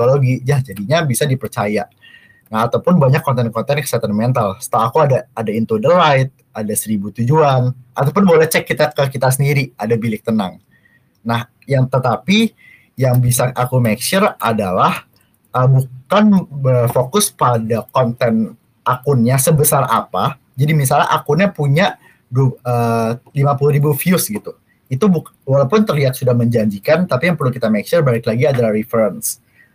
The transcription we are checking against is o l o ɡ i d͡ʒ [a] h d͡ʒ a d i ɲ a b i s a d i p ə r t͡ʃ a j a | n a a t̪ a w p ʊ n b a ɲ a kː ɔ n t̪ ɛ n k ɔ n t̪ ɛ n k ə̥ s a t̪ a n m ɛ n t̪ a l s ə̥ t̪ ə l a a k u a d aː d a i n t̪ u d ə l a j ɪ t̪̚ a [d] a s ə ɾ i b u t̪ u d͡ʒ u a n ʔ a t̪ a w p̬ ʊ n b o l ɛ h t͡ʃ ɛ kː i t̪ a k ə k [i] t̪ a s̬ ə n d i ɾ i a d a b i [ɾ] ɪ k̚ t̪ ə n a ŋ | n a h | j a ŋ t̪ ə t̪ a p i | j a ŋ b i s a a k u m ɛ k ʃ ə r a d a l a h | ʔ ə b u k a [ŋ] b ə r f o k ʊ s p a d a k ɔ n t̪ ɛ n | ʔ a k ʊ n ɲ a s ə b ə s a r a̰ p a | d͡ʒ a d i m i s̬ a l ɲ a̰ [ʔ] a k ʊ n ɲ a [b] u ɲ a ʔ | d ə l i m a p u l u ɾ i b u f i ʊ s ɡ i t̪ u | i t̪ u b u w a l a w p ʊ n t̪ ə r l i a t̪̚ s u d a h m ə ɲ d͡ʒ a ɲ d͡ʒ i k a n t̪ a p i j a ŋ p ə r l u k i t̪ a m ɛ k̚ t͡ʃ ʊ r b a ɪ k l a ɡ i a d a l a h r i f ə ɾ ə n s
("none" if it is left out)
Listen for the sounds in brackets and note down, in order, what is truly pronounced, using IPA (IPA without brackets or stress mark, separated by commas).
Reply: a, d, i, l, n, ʔ, p